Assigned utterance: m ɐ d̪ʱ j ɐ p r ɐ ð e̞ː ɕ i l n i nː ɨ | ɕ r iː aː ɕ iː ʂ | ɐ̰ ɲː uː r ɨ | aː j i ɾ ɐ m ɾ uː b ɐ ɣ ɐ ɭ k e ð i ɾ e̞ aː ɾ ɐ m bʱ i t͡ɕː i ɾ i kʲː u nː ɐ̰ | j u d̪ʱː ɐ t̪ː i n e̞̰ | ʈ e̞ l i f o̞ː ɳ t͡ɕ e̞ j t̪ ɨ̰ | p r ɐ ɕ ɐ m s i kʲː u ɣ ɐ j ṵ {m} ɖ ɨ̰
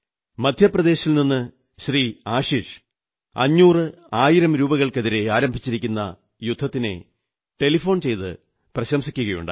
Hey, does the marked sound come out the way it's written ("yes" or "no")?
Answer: no